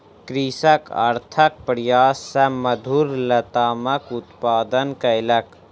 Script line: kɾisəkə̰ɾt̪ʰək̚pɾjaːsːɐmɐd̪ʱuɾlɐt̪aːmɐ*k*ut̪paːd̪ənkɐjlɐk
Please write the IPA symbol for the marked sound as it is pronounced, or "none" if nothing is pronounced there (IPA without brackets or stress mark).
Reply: k